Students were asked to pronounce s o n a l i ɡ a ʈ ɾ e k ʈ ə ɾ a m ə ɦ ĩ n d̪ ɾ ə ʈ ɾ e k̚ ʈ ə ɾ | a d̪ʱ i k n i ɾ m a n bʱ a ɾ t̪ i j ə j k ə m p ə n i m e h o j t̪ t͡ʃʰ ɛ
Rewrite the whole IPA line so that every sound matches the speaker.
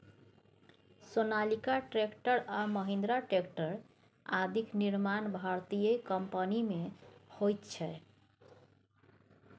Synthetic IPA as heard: s o n a l i k a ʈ ɾ e k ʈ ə ɾ a m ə ɦ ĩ n d̪ ɾ a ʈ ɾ e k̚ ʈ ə ɾ | a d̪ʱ i k n i ɾ m a n bʱ a ɾ t̪ i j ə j k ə m p ə n i m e h o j t̪ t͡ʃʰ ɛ